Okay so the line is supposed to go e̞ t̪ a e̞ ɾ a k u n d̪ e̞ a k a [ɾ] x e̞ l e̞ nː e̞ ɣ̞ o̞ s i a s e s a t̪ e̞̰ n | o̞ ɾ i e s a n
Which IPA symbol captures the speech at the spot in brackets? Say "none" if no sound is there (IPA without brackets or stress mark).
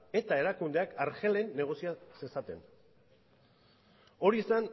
ɾ